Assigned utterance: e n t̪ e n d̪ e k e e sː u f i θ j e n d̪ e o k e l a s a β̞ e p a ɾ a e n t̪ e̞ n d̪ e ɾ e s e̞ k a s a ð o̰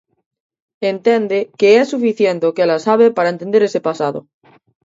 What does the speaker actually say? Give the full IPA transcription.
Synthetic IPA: e n t̪ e n d̪ e k e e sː u f i θ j e n t̪ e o k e l a s a β̞ e p a ɾ a e n t̪ e̞ n d̪ e ɾ e s e̞ p a s a ð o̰